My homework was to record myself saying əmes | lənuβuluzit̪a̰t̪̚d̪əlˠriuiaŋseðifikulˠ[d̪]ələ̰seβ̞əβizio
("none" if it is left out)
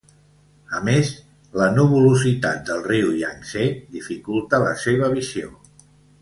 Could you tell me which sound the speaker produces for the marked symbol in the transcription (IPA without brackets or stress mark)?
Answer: t̪